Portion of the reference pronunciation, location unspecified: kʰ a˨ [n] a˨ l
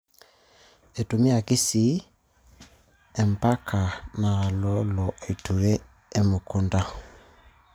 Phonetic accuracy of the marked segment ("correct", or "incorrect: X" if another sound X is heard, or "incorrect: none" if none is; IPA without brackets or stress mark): correct